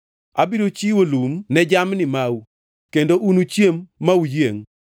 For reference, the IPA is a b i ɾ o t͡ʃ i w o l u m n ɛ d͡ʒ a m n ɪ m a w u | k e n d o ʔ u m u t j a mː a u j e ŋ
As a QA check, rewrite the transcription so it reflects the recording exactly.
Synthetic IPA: a b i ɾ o t͡ʃ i w o l u m n ɛ d͡ʒ a m n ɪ m a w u | k e n d o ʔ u n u t͡ʃ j e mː a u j e ŋ